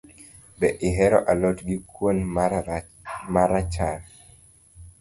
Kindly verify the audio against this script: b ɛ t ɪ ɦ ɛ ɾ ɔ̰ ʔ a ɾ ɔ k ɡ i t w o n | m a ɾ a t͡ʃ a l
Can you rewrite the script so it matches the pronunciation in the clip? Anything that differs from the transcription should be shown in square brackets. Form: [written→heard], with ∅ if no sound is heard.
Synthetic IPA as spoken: b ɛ [t→ʔ] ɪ ɦ ɛ ɾ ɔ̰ ʔ a [ɾ→l] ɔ [k→t] ɡ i [t→k] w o n | m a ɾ a t͡ʃ a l

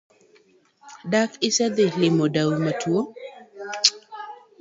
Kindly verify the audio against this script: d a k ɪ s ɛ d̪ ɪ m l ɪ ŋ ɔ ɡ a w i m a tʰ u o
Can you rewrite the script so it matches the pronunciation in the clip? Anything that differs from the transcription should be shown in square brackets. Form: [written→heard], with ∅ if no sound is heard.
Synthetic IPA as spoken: d a k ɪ s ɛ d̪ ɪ [m→∅] l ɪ [ŋ→m] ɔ [ɡ→d] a w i m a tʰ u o

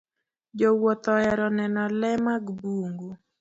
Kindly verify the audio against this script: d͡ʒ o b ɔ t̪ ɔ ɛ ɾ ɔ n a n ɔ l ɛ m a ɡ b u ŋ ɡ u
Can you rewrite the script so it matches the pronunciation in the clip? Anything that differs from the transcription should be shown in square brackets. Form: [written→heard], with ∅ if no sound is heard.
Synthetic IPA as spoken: d͡ʒ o [b→w] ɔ t̪ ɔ ɛ ɾ ɔ n [a→ɛ] n ɔ l ɛ m a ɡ b u ŋ ɡ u

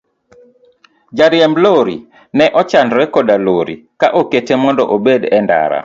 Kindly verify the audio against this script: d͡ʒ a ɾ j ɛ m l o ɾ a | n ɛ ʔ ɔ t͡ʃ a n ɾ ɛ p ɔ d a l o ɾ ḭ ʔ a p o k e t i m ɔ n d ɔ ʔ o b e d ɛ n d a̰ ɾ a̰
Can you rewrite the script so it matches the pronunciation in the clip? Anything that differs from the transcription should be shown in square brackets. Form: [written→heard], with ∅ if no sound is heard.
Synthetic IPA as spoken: d͡ʒ a ɾ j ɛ m l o ɾ [a→i] | n ɛ ʔ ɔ t͡ʃ a n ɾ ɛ [p→k] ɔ d a l o ɾ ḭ [ʔ→k] a [p→ʔ] o k e t [i→e] m ɔ n d ɔ ʔ o b e d ɛ n d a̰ ɾ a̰

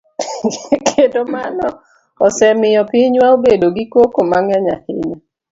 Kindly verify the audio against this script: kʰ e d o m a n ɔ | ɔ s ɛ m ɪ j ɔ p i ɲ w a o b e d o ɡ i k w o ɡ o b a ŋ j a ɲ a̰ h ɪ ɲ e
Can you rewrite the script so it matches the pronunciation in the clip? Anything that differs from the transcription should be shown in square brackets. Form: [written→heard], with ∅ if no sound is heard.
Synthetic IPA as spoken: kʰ e d o m a n ɔ | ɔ s ɛ m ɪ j ɔ p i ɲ w a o b e d o ɡ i k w o [ɡ→k] o [b→m] a ŋ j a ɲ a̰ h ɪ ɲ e

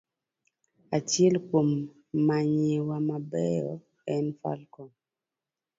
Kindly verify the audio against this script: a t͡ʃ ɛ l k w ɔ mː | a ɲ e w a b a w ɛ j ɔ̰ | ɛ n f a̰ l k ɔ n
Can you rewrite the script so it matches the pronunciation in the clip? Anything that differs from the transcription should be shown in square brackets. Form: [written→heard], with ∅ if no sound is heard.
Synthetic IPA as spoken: a t͡ʃ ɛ l k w [ɔ→o] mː | a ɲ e w a [b→m] a [w→b] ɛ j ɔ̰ | ɛ n f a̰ l k ɔ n

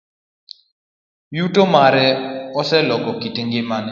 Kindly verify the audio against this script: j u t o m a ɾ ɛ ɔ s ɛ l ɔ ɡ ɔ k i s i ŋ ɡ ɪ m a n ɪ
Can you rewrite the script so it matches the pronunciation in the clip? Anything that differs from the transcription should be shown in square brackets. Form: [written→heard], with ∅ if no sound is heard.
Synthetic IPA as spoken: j u t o m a ɾ ɛ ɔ s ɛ l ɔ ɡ ɔ k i [s→t] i ŋ ɡ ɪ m a n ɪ

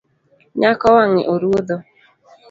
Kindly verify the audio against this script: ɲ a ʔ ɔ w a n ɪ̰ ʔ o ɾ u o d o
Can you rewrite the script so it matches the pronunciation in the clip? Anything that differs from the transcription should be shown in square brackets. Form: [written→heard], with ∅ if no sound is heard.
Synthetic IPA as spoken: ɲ a [ʔ→k] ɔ w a [n→ŋ] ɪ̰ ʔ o ɾ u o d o

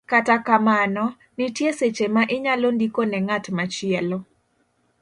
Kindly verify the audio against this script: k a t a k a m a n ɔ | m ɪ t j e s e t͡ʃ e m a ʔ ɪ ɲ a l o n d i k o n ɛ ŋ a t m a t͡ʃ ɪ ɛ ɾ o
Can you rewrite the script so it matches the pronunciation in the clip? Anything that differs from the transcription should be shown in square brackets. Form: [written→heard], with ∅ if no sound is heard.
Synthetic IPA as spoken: k a t a k a m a n ɔ | [m→n] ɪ t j e s e t͡ʃ e m a ʔ ɪ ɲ a l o n d i k o n ɛ ŋ a t m a t͡ʃ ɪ ɛ [ɾ→l] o

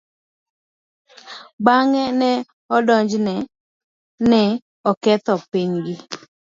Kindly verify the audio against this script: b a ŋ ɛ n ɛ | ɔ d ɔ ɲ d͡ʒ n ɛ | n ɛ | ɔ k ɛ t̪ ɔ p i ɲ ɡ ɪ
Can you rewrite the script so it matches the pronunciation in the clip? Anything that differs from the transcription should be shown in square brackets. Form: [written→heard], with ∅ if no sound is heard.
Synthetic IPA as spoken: b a ŋ ɛ n ɛ | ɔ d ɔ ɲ d͡ʒ n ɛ | n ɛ | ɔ k ɛ t̪ ɔ p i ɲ ɡ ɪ

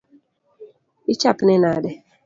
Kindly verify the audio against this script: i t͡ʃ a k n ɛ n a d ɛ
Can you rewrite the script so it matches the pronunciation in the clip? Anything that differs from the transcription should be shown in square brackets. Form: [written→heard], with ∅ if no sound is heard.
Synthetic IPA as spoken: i t͡ʃ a [k→p] n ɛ n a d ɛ

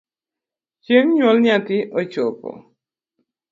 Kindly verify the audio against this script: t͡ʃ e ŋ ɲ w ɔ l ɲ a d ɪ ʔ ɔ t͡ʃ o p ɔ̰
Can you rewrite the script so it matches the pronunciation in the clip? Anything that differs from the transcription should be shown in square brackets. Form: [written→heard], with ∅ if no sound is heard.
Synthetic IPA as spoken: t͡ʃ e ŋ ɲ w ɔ l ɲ a [d→t] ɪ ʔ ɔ t͡ʃ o p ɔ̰

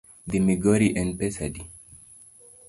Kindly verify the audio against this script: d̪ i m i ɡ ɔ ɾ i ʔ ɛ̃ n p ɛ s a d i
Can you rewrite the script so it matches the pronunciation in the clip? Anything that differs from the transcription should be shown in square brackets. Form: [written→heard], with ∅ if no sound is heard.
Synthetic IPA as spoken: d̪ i m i ɡ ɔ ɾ i ʔ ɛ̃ n p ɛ s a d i

